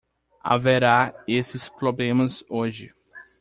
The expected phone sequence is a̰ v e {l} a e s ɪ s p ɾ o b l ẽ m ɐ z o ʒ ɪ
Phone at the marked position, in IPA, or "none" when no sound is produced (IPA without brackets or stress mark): ɾ